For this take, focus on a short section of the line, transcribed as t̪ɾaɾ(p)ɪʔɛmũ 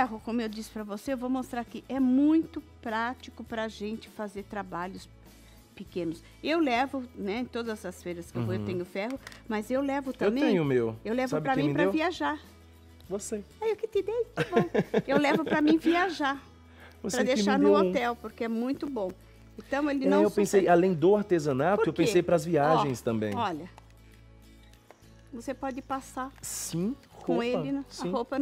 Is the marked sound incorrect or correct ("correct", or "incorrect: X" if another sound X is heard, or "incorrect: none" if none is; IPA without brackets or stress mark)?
incorrect: k